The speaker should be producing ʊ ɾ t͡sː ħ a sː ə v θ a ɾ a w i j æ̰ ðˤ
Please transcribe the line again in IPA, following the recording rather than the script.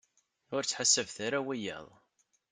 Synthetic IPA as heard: ʊ ɾ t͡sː ħ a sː ə v θ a ɾ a w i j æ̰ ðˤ